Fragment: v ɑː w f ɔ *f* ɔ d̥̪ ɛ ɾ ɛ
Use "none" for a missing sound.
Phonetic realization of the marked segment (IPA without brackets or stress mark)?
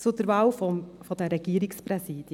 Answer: f